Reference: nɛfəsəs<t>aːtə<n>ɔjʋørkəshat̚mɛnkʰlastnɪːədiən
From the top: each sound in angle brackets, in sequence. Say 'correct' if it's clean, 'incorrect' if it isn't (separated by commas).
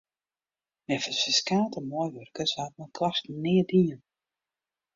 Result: incorrect, incorrect